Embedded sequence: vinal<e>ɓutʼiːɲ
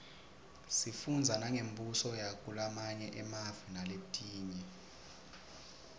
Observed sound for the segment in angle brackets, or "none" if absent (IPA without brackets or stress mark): e